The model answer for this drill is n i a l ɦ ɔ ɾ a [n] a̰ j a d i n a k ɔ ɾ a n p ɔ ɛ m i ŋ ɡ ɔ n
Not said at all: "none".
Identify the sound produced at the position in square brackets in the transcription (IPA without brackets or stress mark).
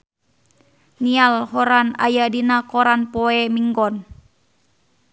n